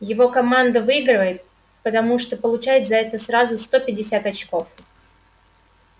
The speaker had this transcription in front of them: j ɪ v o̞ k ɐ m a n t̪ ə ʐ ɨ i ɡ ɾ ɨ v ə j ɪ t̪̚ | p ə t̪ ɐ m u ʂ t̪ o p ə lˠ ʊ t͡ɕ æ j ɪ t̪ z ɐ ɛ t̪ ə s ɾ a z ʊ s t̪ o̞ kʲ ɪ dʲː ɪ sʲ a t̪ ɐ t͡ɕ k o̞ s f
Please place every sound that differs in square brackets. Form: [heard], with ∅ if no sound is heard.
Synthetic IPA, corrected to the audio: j ɪ v o̞ k ɐ m a n [d̪] ə [v] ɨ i ɡ ɾ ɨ v ə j ɪ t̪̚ | p ə t̪ ɐ m u ʂ t̪ o p ə lˠ ʊ t͡ɕ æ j ɪ t̪ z ɐ ɛ t̪ ə s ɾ a z ʊ s t̪ o̞ [pʲ] ɪ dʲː ɪ sʲ a t̪ ɐ t͡ɕ k o̞ [∅] f